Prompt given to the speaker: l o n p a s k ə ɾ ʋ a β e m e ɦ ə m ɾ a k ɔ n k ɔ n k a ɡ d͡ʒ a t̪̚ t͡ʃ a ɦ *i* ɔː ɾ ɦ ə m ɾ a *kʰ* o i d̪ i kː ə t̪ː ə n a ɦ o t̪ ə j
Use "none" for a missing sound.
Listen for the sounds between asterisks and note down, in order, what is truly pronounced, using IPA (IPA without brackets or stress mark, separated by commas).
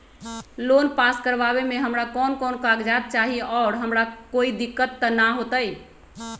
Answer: i, k